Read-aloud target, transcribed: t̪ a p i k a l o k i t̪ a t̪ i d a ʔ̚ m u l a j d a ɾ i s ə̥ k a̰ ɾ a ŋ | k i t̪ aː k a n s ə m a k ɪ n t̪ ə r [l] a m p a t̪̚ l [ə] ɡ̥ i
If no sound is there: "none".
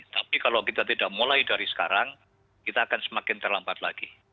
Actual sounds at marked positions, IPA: l, a

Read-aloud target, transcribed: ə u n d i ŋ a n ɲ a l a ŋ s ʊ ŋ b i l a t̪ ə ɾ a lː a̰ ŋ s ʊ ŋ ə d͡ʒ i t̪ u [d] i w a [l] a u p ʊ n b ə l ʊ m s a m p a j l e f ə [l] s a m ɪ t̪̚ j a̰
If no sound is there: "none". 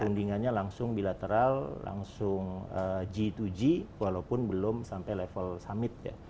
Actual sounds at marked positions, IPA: d͡ʒ, l, l

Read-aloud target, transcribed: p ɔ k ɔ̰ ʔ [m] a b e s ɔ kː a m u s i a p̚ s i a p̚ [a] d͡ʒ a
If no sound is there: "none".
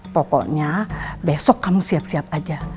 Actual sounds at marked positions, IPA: ɲ, a

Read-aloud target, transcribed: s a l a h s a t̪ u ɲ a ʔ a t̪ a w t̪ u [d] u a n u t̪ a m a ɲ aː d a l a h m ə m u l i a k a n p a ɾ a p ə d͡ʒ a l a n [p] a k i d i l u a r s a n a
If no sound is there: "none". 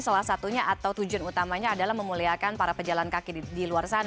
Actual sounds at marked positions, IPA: d͡ʒ, k

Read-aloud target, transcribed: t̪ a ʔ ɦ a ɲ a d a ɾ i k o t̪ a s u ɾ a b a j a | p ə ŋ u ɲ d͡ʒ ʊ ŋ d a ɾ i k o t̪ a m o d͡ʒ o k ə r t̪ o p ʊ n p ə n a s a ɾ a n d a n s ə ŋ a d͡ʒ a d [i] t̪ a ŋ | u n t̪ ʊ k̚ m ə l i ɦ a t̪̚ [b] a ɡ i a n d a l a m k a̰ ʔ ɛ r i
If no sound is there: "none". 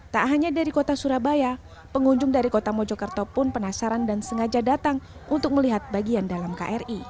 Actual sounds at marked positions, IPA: a, b

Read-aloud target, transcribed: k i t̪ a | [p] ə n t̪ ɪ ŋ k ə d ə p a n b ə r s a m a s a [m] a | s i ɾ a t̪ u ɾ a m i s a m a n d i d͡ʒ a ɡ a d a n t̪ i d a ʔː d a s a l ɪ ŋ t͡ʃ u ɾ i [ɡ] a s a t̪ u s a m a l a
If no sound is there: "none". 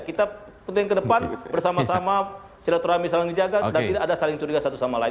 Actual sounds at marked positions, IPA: p, m, ɡ

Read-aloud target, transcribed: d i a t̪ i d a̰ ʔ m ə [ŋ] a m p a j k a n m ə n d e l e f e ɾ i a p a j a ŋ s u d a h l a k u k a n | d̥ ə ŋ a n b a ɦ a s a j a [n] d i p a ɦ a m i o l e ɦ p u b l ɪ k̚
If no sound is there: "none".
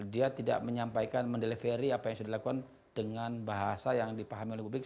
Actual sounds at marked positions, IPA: ɲ, ŋ

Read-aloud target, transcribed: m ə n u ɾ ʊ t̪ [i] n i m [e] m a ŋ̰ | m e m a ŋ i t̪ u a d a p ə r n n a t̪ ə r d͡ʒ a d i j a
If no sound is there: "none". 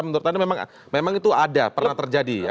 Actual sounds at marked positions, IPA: a, e

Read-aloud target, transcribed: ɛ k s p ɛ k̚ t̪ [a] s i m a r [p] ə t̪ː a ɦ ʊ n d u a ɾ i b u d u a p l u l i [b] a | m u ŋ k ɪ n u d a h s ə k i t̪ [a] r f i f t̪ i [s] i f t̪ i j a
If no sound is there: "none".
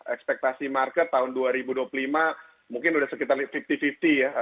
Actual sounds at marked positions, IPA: a, k, m, a, f

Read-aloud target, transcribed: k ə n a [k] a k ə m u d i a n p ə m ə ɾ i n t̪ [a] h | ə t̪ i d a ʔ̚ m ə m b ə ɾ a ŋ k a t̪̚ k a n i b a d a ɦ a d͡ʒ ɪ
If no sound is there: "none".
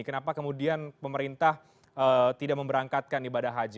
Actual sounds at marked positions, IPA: p, a

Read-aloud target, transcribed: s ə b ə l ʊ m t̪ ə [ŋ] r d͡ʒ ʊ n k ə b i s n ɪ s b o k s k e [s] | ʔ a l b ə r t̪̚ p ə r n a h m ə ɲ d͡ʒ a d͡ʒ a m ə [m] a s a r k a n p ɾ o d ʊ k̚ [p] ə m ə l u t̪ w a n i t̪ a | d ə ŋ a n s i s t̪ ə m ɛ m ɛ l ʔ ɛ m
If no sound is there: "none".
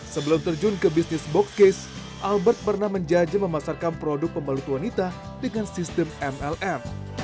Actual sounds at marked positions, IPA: none, s, m, p

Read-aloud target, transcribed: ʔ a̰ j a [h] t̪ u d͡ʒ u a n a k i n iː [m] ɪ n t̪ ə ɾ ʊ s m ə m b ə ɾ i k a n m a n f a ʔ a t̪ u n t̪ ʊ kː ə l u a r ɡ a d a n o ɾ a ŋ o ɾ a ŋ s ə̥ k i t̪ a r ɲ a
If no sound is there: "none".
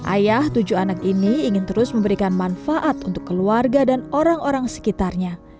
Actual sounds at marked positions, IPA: h, ŋ

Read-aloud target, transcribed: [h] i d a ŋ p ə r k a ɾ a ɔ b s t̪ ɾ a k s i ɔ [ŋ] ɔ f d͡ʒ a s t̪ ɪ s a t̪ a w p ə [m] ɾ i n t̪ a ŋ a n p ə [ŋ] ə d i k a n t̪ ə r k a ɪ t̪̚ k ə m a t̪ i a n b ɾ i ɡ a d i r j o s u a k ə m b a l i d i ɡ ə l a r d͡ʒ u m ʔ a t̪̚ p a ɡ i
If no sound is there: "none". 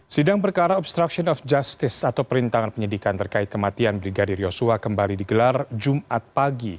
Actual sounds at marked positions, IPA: s, n, none, ɲ

